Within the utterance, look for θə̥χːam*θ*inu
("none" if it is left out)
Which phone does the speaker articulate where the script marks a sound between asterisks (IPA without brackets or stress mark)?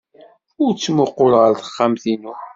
θ